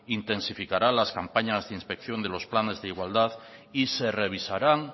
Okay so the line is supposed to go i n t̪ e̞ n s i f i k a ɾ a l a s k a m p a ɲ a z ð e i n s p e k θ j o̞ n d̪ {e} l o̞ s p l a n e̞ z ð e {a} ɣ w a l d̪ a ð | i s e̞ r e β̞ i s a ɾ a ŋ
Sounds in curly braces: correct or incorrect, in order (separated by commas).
correct, incorrect